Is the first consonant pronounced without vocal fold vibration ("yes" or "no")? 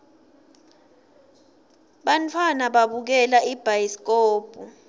no